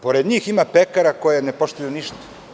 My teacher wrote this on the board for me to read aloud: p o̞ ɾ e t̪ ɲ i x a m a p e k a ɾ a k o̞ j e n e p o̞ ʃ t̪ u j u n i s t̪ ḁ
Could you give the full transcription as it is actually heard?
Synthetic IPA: p o̞ ɾ e d̪ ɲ iː x i m a p e k a ɾ a k o̞ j e n e p o̞ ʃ t̪ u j u n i ʃ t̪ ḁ